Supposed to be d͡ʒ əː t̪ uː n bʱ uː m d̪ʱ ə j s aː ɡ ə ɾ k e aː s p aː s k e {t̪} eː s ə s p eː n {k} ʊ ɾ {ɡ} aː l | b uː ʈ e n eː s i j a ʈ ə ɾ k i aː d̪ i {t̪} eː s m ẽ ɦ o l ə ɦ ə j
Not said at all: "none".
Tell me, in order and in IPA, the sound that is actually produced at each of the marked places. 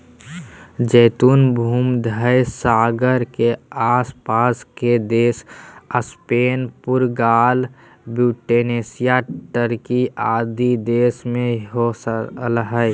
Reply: d̪, p, ɡ, d̪

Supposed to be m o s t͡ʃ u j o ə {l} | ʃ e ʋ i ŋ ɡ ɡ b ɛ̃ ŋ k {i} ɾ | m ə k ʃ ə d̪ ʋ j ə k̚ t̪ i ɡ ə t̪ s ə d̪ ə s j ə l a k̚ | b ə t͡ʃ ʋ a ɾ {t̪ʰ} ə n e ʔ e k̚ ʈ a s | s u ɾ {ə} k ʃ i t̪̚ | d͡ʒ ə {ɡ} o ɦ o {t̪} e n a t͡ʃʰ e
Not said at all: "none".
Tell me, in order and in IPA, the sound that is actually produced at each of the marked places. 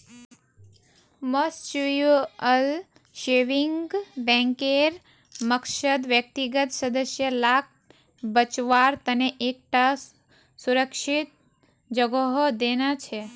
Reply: l, e, t̪, ə, ɡ, d̪

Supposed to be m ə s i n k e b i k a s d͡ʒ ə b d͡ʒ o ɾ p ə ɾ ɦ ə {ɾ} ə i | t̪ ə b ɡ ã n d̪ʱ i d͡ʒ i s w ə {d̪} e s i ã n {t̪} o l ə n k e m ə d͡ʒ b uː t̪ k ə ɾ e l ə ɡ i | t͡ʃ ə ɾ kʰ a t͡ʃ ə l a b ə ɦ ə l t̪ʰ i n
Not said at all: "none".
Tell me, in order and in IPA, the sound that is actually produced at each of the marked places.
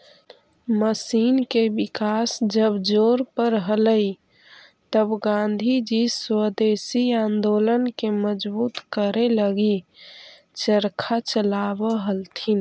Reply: l, d̪, d̪

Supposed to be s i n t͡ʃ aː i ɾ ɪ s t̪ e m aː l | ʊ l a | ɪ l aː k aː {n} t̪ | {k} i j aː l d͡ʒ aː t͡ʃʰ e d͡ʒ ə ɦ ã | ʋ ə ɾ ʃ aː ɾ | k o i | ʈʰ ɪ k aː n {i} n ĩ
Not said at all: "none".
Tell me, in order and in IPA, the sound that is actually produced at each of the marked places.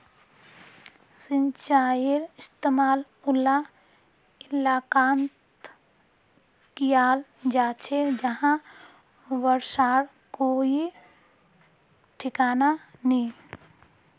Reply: n, k, a

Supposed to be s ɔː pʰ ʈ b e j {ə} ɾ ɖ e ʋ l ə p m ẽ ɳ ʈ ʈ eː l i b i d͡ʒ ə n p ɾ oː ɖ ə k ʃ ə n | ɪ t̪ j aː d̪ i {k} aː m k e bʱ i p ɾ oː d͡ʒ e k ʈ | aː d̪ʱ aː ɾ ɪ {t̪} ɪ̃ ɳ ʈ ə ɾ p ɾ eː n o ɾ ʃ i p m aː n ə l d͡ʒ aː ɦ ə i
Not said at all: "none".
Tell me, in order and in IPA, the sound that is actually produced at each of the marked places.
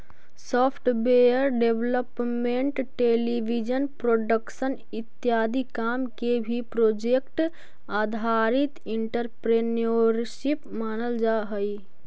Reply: ə, k, t̪

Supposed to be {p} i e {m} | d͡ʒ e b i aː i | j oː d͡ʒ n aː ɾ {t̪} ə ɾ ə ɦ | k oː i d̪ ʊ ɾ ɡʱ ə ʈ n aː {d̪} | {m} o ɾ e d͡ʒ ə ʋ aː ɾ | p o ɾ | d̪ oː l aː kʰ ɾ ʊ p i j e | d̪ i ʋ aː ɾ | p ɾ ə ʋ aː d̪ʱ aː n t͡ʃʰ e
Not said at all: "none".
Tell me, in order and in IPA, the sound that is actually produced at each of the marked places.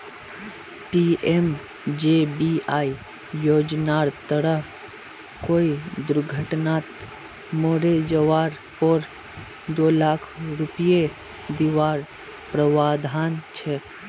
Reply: p, m, t̪, t̪, m

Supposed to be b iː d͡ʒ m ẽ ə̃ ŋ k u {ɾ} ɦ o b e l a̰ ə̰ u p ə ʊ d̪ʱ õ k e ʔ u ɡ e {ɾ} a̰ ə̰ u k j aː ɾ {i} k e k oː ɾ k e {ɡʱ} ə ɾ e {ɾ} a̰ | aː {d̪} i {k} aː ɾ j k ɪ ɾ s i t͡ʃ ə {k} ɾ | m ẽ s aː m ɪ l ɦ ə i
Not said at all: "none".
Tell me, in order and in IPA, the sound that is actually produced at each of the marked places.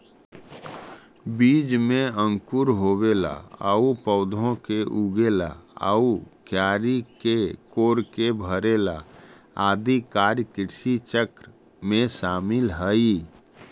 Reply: ɾ, l, i, bʱ, l, d̪, k, k

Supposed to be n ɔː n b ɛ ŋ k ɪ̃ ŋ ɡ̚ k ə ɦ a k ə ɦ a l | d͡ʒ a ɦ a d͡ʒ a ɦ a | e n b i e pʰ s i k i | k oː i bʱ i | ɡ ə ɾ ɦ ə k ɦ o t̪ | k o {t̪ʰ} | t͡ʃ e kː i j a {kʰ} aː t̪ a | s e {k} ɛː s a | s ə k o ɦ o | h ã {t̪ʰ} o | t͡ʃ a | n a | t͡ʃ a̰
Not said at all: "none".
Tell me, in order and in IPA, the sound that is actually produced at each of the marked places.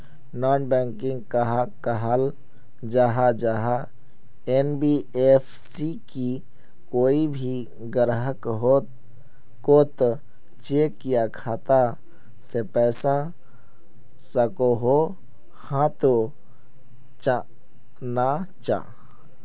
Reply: t̪, kʰ, p, t̪

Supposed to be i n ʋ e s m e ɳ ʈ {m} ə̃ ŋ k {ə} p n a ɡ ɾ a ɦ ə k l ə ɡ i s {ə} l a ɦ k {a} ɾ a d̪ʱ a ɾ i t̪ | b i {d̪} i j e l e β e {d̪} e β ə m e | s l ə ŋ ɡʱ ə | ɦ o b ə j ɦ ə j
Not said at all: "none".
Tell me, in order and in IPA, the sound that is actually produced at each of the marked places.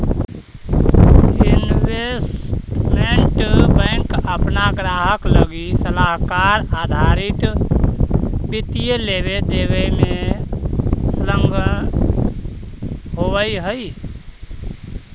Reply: b, ə, ə, a, t̪, d̪

